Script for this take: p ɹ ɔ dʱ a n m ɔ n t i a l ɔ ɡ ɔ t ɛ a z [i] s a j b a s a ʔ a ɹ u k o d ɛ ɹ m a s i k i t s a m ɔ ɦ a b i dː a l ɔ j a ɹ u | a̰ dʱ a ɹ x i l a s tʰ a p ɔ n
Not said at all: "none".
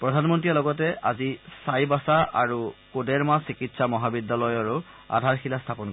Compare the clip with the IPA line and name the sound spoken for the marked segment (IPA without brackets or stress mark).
i